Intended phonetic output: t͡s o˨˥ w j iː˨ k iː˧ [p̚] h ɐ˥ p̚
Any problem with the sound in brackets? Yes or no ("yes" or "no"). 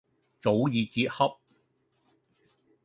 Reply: yes